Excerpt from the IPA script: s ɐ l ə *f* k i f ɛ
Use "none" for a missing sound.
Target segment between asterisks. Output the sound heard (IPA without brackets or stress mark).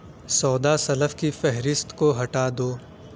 f